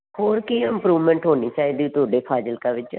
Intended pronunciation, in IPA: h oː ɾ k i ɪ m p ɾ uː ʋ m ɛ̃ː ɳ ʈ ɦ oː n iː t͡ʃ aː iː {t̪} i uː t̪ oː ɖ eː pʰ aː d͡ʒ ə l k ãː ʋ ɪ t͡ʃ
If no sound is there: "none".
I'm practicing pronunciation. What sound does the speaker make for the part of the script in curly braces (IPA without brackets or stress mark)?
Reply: d̪